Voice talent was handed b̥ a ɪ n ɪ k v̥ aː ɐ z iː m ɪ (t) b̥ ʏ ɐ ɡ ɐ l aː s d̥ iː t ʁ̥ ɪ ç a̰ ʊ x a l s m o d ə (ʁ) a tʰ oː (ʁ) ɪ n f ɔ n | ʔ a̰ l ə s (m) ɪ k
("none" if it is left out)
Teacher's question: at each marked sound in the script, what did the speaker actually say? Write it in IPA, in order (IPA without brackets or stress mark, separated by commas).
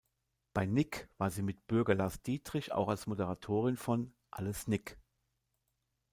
t, ʁ, ʁ, n